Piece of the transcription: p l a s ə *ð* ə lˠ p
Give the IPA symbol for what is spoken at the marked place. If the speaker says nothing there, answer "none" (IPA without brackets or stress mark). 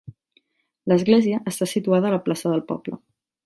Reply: ð